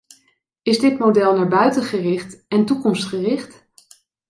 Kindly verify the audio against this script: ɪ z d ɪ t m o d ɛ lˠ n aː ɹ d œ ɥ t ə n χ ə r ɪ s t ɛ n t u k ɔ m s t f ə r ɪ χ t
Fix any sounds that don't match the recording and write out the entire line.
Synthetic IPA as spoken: ɪ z d ɪ t m o d ɛ lˠ n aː ɹ b œ ɥ t ə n χ ə r ɪ χ t ɛ n t u k ɔ m s t χ ə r ɪ χ t